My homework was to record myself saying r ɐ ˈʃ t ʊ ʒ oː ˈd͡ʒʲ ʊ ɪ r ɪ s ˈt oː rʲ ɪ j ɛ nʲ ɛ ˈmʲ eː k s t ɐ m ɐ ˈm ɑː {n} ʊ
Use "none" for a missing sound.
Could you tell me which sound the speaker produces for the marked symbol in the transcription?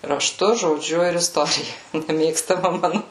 n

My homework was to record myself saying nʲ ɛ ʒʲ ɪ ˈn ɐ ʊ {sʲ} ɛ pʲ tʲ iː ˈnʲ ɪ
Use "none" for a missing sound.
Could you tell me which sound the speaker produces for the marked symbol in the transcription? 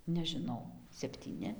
sʲ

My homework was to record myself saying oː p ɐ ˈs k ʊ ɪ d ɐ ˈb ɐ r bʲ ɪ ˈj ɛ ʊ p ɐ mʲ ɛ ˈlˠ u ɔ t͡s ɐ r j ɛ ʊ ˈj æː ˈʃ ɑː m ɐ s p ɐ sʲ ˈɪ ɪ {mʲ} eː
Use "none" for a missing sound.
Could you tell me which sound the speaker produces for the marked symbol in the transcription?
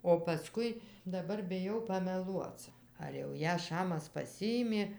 mʲ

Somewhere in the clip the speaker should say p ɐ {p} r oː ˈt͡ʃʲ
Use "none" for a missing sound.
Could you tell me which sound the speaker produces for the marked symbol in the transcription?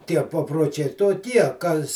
p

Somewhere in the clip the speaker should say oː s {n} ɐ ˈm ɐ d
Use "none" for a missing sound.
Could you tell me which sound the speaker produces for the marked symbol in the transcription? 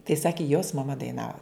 m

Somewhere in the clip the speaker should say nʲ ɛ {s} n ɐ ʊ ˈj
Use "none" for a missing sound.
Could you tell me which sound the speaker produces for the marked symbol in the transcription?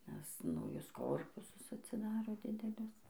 s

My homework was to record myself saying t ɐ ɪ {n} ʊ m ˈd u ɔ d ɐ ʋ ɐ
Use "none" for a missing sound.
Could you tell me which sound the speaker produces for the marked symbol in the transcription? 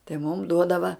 m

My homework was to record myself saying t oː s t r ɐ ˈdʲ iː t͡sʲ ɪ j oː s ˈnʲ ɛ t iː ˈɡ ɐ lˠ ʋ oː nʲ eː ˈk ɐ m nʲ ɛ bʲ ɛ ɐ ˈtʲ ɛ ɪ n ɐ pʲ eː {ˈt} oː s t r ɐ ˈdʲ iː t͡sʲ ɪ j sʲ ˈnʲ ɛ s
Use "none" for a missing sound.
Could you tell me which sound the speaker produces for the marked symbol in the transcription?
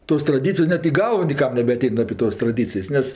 t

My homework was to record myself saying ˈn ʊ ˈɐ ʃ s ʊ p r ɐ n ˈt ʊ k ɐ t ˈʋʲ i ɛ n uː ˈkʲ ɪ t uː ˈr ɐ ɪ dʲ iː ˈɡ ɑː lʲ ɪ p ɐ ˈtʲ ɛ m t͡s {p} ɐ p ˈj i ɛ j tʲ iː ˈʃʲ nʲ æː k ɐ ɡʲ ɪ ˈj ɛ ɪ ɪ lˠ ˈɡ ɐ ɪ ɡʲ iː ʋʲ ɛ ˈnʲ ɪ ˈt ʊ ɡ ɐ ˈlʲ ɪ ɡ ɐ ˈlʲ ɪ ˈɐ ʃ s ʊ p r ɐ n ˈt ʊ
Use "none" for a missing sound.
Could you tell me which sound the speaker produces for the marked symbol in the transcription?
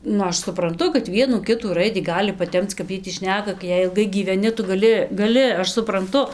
k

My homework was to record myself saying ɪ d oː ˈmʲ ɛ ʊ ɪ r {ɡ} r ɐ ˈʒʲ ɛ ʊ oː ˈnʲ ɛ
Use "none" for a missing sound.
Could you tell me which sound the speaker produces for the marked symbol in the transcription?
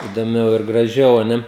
ɡ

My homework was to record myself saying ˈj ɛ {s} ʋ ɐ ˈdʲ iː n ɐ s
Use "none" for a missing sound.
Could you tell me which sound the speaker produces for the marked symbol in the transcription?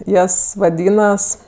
s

